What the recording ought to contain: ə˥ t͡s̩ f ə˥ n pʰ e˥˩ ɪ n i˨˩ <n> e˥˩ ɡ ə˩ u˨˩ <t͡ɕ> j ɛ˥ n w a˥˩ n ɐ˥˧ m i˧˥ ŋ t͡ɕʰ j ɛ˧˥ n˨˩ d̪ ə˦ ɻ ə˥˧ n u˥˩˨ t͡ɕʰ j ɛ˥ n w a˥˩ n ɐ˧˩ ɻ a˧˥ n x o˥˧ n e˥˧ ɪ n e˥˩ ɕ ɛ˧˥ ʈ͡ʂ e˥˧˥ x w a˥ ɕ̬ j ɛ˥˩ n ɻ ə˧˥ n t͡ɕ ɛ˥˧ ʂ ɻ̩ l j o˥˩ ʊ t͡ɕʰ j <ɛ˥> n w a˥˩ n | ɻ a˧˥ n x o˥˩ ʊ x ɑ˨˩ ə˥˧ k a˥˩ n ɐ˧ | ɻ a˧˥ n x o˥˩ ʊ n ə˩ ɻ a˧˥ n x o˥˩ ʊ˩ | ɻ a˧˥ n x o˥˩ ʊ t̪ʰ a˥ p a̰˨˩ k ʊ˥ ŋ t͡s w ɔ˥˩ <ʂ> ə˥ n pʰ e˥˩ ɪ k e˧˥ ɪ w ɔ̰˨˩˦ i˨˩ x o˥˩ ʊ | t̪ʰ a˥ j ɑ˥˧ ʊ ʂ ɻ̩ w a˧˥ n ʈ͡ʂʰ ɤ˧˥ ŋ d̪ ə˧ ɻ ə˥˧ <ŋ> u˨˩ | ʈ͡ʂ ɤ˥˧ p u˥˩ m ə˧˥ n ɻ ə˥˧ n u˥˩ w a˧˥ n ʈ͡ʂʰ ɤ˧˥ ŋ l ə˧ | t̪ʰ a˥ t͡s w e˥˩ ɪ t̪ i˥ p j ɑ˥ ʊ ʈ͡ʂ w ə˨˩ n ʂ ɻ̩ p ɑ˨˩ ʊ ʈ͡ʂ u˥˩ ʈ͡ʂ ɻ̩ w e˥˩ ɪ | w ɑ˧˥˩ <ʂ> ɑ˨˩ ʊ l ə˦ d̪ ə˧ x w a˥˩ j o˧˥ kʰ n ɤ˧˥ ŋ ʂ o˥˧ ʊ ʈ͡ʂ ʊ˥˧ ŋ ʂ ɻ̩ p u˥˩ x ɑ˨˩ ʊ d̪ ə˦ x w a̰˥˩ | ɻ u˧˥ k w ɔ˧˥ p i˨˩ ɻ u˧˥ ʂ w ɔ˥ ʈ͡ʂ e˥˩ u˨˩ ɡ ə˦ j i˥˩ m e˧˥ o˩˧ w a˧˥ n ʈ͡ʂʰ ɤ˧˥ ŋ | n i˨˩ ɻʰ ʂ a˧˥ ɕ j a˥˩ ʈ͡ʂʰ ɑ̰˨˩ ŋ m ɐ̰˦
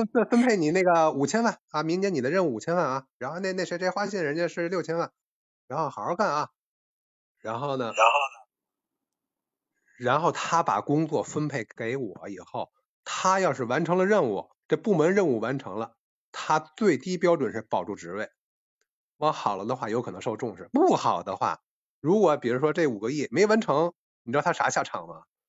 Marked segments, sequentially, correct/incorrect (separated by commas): correct, incorrect, correct, incorrect, incorrect, incorrect